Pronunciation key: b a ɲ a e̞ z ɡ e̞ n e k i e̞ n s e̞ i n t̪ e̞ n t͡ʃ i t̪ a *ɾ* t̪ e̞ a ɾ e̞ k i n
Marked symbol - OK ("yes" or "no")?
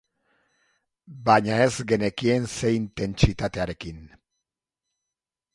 no